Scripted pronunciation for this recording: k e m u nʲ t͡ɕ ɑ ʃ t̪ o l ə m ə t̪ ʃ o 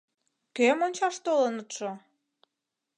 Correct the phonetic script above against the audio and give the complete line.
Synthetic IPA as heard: k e m o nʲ t͡ɕ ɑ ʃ t̪ o l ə n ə t̪ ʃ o